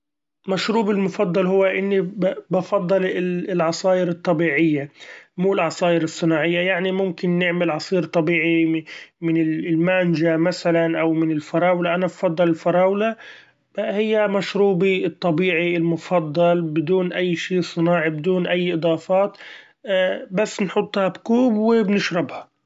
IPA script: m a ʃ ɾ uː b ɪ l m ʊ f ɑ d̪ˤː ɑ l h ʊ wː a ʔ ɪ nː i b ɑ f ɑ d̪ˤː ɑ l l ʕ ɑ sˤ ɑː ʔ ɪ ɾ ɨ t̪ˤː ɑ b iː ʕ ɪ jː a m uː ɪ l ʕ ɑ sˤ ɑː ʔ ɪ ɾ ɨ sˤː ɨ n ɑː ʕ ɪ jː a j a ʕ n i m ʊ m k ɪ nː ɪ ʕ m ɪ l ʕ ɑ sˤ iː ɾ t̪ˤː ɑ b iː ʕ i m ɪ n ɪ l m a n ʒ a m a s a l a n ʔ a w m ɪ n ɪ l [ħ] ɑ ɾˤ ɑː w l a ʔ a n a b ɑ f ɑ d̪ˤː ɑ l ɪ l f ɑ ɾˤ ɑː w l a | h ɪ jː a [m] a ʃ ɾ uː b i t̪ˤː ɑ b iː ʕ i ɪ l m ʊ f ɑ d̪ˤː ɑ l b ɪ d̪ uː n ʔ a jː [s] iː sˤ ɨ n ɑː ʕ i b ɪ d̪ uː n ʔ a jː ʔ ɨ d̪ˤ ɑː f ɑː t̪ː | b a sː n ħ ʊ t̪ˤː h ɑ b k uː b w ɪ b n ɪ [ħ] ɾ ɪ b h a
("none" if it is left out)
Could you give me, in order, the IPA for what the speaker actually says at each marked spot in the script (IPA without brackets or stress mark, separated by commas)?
f, m, ʃ, ʃ